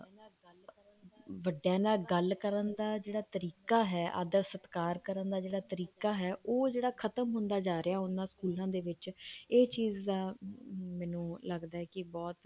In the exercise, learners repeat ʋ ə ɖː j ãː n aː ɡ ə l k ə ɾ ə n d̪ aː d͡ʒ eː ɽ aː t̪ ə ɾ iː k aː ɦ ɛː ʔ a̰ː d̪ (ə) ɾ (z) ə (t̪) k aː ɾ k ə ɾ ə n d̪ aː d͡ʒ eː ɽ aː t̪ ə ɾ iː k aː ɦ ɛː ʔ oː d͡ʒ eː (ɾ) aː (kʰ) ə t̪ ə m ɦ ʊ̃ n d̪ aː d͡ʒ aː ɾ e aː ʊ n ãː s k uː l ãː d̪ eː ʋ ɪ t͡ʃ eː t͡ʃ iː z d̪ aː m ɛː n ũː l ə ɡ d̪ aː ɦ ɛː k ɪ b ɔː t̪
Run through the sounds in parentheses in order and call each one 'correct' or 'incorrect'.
correct, incorrect: s, correct, incorrect: ɽ, correct

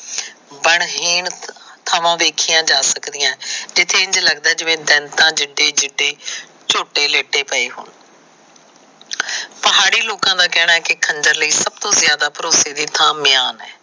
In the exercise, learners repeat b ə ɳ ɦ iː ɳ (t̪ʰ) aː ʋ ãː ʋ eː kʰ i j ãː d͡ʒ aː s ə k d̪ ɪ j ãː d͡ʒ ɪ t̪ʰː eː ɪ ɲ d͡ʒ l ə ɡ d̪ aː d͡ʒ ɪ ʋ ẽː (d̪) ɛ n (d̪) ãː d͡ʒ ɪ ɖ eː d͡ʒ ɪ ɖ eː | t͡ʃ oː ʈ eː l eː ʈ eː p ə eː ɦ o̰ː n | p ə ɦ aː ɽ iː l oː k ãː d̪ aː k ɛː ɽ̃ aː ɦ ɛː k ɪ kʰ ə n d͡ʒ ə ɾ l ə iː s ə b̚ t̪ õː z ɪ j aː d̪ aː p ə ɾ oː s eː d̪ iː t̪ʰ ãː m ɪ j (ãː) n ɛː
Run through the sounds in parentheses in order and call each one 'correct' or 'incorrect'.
correct, correct, incorrect: t̪, incorrect: aː

